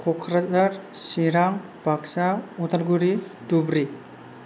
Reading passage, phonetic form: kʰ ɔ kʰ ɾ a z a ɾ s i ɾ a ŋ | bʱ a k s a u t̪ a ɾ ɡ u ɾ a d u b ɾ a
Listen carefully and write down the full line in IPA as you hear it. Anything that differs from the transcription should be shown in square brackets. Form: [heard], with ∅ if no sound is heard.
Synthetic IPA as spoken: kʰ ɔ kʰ ɾ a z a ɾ s i ɾ a ŋ | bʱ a k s a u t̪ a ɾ ɡ u ɾ [i] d u b ɾ [i]